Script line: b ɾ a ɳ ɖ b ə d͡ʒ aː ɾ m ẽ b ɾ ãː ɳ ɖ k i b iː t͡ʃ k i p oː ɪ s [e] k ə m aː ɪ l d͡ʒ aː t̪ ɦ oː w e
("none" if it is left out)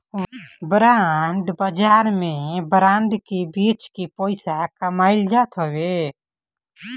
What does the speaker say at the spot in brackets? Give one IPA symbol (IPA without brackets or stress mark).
a